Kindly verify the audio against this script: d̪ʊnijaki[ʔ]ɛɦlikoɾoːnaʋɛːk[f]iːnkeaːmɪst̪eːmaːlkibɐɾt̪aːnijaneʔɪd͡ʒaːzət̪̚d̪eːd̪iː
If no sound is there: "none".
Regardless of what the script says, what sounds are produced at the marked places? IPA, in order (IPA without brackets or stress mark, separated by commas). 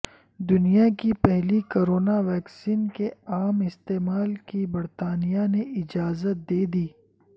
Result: p, s